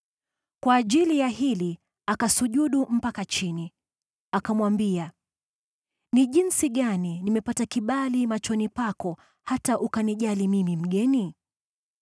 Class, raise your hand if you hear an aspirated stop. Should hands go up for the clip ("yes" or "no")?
no